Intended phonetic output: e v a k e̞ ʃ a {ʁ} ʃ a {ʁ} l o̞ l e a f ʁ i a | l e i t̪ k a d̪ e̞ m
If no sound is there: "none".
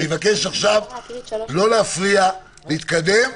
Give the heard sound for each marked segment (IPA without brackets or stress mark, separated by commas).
χ, v